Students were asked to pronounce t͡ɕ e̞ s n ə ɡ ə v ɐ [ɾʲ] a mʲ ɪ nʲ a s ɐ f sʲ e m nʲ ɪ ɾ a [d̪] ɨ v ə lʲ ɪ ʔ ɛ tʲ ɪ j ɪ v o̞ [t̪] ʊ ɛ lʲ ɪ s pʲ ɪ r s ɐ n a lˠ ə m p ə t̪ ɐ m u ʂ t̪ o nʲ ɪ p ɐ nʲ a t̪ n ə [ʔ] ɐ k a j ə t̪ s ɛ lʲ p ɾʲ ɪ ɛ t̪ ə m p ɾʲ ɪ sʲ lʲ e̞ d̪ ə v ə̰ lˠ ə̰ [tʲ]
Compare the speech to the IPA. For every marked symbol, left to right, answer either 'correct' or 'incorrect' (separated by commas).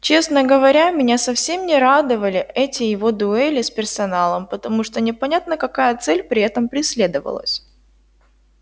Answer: correct, correct, incorrect, incorrect, incorrect